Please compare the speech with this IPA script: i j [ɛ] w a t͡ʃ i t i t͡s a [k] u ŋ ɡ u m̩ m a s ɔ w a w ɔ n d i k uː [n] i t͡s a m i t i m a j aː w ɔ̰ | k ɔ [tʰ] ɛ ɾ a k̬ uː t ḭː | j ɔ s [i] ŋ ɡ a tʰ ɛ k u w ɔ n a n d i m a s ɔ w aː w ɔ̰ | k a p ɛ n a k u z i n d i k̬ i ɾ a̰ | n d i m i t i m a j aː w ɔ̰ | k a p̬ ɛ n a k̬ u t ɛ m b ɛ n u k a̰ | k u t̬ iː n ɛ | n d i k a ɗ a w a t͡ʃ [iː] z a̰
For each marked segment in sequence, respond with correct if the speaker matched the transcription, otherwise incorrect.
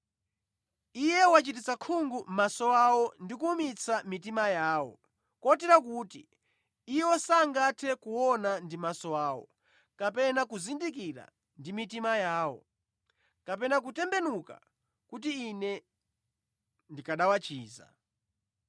correct, incorrect, incorrect, incorrect, incorrect, correct

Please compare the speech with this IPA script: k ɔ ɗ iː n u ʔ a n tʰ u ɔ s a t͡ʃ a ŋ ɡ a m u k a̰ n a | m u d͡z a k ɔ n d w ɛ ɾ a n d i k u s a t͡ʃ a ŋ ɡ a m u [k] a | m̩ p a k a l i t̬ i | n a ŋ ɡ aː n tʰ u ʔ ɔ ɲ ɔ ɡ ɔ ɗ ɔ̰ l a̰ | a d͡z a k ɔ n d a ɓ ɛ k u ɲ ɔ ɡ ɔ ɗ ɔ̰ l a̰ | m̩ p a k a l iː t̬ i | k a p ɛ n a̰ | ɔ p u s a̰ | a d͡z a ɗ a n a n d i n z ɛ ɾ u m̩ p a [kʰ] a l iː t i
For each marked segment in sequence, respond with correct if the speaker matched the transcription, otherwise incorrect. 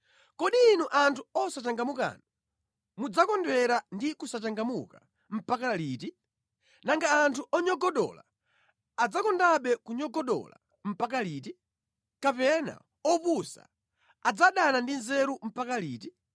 correct, incorrect

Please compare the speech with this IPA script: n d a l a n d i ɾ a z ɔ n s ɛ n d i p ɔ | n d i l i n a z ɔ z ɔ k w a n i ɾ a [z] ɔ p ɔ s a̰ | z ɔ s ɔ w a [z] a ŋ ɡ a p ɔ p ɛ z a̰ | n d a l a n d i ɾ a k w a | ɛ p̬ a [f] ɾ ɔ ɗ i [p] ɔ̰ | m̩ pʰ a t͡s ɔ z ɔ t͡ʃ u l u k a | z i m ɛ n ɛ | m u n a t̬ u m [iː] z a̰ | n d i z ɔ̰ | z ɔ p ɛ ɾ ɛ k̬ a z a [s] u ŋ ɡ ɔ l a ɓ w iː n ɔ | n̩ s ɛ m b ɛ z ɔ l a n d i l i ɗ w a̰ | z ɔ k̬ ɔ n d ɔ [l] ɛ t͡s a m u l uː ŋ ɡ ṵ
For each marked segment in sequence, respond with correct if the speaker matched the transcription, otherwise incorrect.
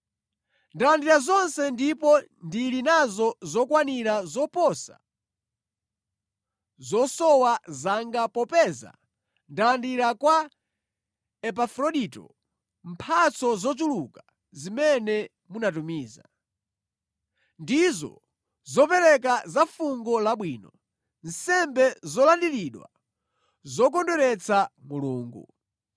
correct, correct, correct, incorrect, correct, incorrect, incorrect

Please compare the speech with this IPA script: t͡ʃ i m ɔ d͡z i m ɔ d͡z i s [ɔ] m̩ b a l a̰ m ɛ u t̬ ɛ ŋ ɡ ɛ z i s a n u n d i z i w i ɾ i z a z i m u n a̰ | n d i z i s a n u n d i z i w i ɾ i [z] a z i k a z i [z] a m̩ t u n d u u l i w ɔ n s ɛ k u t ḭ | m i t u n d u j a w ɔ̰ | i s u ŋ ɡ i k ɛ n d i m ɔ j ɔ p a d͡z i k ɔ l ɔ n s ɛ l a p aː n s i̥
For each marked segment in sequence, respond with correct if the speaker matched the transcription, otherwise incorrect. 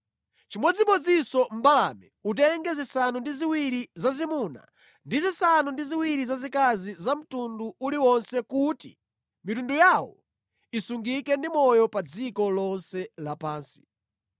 correct, correct, correct

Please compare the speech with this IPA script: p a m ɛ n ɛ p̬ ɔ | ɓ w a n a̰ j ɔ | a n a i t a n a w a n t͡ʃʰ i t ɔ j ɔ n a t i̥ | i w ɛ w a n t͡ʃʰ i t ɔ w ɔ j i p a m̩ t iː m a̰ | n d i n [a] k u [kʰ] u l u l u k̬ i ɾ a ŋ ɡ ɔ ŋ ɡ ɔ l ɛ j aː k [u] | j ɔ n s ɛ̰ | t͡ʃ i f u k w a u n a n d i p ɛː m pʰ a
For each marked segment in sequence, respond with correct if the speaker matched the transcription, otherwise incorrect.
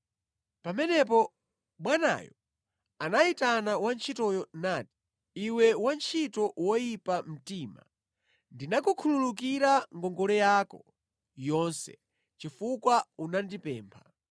correct, correct, incorrect

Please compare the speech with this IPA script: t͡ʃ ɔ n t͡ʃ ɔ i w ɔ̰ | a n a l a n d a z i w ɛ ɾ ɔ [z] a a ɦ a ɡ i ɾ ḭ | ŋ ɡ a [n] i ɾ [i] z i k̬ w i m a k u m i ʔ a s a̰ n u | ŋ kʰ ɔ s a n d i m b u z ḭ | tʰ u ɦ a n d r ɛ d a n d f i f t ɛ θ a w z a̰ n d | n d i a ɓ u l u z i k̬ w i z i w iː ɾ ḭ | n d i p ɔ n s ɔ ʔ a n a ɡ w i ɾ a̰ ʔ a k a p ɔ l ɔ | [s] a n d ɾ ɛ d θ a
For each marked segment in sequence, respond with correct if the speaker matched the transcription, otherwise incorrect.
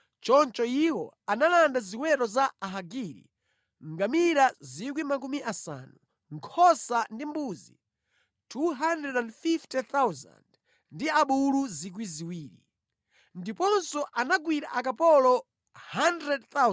correct, incorrect, incorrect, incorrect

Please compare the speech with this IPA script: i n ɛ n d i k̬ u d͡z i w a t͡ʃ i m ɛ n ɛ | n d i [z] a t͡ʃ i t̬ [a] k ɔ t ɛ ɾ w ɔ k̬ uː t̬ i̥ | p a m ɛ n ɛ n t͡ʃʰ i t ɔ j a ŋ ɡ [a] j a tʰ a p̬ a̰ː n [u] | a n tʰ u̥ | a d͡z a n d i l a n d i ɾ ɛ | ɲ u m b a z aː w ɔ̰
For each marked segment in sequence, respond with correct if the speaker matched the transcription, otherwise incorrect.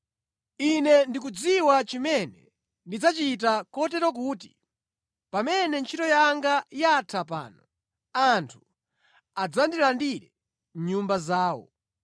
incorrect, correct, correct, incorrect

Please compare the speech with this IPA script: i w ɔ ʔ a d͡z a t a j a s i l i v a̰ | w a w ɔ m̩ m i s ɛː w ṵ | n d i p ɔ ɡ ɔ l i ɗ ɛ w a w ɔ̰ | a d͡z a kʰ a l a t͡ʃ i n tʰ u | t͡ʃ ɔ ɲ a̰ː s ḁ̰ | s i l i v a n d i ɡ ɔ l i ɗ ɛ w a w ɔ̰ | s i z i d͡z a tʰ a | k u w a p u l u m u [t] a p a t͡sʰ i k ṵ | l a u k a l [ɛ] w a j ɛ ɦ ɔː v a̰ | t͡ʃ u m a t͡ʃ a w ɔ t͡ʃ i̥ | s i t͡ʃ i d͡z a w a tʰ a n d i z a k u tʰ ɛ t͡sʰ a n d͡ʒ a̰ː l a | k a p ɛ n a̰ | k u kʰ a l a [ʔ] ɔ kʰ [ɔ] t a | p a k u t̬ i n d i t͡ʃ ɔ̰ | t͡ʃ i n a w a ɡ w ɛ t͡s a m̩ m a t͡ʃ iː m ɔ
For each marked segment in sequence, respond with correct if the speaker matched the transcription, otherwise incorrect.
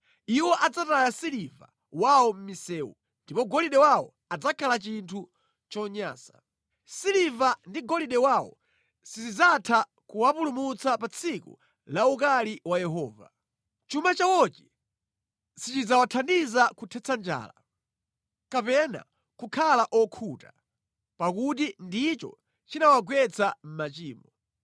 incorrect, incorrect, correct, incorrect

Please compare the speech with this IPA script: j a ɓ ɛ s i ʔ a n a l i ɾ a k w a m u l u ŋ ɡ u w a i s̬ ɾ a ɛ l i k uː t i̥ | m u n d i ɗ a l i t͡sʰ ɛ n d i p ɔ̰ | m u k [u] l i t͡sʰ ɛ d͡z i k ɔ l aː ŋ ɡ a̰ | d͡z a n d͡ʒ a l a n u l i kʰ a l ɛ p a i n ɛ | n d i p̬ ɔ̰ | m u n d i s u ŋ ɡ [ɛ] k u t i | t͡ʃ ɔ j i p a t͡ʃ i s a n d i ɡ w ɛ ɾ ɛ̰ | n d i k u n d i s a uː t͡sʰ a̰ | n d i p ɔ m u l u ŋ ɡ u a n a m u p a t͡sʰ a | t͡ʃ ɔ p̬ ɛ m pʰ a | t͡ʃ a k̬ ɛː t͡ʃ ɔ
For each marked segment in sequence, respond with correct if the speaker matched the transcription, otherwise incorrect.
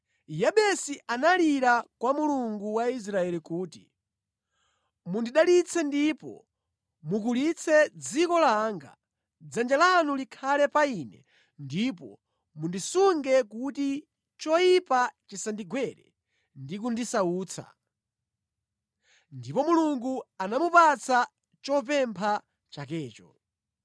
correct, correct

